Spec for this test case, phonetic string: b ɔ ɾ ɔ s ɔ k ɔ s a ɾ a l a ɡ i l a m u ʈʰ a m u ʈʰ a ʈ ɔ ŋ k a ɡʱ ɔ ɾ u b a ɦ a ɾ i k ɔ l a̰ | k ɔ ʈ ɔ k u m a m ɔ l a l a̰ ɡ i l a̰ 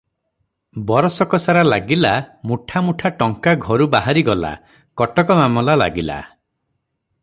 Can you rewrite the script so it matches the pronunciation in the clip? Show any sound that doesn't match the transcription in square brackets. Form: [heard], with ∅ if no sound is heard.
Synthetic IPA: b ɔ ɾ ɔ s ɔ k ɔ s a ɾ a l a ɡ i l a m u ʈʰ a m u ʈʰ a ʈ ɔ ŋ k a ɡʱ ɔ ɾ u b a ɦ a ɾ i [ɡ] ɔ l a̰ | k ɔ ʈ ɔ k [ɔ] m a m ɔ l a l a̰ ɡ i l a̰